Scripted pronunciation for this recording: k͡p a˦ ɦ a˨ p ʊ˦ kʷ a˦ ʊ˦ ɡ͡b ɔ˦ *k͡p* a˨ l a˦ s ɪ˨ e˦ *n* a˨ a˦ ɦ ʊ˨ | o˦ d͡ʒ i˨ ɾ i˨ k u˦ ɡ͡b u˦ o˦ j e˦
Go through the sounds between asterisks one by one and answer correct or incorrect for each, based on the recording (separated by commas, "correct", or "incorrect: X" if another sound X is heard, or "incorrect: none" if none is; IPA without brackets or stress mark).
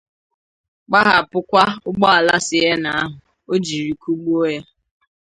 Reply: incorrect: none, correct